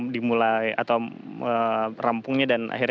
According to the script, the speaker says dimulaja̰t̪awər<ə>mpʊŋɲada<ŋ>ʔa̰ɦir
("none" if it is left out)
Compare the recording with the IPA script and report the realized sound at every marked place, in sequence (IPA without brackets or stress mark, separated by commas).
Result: a, n